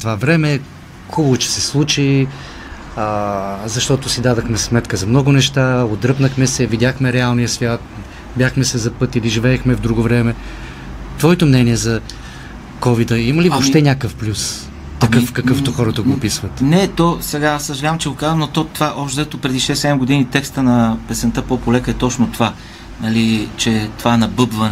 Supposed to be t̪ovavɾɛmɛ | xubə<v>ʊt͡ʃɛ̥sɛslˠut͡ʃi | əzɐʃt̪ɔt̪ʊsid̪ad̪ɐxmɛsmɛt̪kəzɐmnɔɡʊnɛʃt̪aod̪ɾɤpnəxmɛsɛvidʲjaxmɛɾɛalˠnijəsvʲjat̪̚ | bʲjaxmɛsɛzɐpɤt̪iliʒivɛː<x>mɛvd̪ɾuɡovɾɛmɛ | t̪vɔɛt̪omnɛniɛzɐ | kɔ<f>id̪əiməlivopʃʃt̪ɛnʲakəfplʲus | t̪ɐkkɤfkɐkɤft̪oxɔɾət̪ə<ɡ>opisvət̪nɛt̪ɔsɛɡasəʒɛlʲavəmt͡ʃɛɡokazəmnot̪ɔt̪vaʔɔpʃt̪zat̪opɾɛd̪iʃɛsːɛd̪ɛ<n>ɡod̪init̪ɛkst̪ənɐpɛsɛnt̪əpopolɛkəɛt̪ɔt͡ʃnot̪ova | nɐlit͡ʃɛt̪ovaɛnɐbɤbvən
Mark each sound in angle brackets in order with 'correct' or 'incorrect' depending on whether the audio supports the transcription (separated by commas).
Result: correct, correct, incorrect, correct, incorrect